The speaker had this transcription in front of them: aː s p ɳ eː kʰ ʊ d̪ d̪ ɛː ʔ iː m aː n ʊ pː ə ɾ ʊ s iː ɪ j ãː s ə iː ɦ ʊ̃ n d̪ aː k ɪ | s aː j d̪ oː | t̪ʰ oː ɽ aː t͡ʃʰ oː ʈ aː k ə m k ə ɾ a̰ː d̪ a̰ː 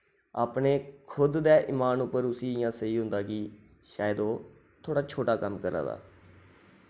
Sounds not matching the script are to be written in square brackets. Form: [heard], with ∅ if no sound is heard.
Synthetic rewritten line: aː [∅] p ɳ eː kʰ ʊ d̪ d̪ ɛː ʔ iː m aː n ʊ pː ə ɾ ʊ s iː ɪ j ãː s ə iː ɦ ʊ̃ n d̪ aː k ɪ | [ʃ] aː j d̪ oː | t̪ʰ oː ɽ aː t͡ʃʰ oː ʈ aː k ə m k ə ɾ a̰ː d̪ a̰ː